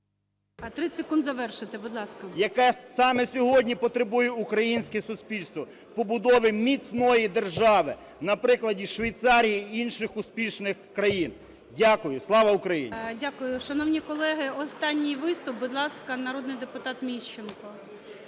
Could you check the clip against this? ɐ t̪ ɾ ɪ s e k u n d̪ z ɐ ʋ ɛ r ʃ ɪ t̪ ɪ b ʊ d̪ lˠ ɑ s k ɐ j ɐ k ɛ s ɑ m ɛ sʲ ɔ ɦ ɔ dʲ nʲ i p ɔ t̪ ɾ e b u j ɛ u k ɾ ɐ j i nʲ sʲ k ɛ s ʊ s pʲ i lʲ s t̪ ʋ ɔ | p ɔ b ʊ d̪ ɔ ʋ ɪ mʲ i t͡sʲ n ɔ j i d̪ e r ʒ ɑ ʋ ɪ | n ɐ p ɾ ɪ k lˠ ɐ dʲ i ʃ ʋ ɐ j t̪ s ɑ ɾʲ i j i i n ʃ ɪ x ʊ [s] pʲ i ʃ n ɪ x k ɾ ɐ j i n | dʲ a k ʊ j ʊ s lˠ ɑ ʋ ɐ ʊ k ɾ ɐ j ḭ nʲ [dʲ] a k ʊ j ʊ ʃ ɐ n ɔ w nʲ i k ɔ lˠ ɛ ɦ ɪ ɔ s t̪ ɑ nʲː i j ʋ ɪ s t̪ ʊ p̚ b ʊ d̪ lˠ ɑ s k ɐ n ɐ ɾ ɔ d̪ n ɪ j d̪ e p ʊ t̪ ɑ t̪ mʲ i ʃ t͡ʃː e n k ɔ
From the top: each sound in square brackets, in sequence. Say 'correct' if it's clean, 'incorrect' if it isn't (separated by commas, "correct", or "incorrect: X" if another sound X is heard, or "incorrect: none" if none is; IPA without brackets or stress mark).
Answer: correct, correct